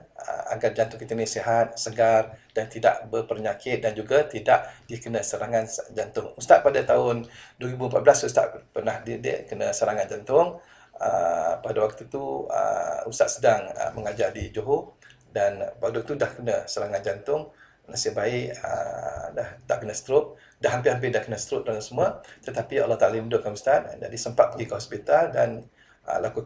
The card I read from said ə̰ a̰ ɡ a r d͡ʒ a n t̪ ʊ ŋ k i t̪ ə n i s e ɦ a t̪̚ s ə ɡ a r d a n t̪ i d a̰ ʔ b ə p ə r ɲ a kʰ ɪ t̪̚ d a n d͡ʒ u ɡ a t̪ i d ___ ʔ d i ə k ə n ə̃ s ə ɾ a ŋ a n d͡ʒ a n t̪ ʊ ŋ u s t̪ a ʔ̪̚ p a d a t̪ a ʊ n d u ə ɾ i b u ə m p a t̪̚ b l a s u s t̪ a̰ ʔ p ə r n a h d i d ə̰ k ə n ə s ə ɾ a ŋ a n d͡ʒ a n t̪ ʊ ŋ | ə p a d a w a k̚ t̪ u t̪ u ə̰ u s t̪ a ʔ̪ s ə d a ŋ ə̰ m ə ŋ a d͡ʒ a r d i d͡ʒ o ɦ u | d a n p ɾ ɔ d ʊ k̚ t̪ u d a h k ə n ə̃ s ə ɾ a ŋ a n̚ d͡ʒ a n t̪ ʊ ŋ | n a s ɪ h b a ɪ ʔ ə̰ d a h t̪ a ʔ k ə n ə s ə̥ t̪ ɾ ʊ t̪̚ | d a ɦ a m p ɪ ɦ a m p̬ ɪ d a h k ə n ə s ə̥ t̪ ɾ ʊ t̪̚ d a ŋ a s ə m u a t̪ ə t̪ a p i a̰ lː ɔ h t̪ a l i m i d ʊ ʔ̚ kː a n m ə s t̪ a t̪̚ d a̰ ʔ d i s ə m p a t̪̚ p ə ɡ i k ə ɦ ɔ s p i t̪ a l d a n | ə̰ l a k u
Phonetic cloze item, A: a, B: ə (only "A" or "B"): A